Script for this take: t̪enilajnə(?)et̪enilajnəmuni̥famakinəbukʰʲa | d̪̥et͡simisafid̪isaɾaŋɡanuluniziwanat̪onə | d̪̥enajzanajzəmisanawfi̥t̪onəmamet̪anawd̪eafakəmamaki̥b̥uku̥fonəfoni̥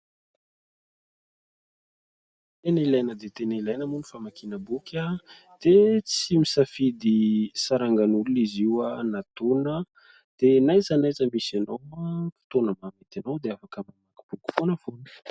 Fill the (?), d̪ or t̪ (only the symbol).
d̪